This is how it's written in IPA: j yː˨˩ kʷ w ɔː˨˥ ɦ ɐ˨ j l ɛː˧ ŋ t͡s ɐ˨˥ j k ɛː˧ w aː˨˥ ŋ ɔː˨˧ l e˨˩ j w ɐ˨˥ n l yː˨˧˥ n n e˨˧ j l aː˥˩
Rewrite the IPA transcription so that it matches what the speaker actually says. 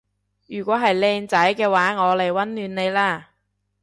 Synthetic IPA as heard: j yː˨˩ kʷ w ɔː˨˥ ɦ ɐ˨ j l ɛː˧ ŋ t͡s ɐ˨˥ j k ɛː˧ w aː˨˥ ŋ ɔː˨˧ l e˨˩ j w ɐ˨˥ n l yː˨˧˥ n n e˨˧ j l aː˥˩